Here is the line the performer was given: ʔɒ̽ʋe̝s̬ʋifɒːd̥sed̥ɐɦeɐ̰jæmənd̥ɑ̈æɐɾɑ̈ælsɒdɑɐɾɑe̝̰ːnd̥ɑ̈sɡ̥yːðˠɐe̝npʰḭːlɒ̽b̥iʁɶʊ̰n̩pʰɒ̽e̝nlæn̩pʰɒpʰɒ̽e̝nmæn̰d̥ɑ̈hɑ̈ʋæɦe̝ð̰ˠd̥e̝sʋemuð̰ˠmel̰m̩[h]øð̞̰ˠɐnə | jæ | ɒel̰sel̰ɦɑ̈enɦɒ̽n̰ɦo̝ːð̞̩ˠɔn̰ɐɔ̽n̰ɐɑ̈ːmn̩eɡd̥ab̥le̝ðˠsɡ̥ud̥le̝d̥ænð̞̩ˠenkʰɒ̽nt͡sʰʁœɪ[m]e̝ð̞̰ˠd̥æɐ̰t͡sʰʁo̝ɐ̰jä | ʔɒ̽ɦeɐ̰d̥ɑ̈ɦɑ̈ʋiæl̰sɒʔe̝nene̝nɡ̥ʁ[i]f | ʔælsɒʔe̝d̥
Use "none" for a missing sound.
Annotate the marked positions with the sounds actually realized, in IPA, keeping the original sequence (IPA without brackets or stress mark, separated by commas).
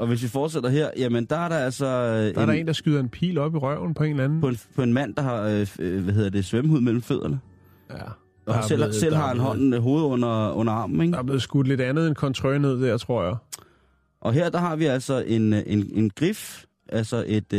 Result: f, n, i